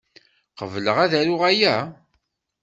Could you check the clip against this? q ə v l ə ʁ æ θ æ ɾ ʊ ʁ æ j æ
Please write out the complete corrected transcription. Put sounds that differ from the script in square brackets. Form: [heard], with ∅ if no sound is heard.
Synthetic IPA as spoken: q ə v l ə ʁ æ [ð] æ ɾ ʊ ʁ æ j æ